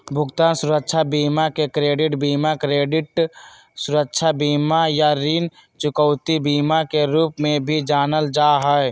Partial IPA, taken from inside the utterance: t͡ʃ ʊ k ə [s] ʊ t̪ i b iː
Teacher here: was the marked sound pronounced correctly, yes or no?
no